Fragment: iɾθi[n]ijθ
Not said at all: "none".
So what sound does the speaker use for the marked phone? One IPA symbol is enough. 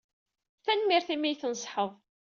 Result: m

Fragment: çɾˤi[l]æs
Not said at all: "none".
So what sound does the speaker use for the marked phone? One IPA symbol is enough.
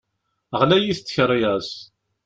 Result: none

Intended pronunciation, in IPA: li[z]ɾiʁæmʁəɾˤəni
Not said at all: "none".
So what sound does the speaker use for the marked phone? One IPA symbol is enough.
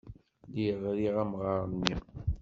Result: ʁ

